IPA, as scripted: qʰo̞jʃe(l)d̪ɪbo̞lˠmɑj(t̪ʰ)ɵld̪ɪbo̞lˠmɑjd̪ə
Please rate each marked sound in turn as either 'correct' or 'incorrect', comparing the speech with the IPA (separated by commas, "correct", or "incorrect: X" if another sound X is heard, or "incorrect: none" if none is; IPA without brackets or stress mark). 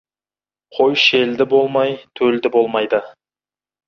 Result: correct, correct